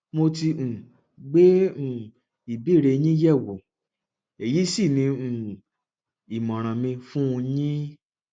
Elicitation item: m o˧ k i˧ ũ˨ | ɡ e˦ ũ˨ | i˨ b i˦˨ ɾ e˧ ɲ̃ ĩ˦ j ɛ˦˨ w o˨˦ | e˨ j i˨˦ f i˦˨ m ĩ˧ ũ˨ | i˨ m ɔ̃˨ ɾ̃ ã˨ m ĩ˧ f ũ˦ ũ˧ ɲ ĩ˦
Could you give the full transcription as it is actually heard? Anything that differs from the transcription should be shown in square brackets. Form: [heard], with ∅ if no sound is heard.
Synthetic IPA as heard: m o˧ [t] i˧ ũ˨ | [ɡ͡b] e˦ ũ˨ | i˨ b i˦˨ ɾ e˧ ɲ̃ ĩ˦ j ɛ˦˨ w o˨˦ | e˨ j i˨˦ [s] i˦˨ [n] ĩ˧ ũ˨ | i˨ m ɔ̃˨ ɾ̃ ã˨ m ĩ˧ f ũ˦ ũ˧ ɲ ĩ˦